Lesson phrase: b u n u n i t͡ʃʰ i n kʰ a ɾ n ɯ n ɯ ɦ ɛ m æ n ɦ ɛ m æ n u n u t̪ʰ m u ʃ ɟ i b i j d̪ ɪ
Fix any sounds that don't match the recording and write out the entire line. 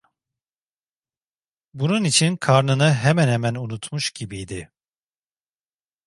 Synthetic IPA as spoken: b u n u n i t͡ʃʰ i n kʰ a ɾ n ɯ n ɯ ɦ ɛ m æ n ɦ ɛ m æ n u n u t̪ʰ m u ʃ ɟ i b i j d̪ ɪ